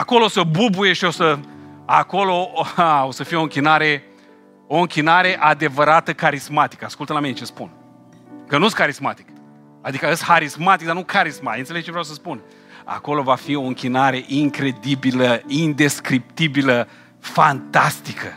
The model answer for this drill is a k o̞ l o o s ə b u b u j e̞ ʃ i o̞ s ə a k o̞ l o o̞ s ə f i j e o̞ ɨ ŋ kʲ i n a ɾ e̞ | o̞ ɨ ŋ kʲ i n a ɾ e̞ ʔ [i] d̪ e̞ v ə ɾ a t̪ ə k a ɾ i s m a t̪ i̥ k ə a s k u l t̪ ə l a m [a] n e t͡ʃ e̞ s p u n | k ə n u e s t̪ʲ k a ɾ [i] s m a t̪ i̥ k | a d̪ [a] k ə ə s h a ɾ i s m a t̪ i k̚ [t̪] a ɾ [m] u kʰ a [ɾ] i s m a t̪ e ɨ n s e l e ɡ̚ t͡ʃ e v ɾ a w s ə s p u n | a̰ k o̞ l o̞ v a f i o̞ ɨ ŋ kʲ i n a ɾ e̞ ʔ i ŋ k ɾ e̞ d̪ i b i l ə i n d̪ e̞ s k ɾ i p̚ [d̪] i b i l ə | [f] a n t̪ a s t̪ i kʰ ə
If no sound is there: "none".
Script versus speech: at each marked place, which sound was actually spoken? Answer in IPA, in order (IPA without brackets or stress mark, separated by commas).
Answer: a, i, i, i, d̪, n, ɾ, t̪, f